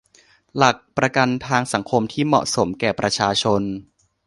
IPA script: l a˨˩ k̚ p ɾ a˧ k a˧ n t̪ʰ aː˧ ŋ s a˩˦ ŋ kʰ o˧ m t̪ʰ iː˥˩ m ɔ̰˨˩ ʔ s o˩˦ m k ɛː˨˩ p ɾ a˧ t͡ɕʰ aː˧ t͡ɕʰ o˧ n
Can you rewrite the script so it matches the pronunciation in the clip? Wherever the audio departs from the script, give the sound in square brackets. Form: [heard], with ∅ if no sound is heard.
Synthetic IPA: l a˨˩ k̚ p ɾ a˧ k a˧ n t̪ʰ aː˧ ŋ s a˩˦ ŋ kʰ o˧ m t̪ʰ iː˥˩ m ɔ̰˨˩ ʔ s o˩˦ m k ɛː˨˩ p ɾ a˧ t͡ɕʰ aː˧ t͡ɕʰ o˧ n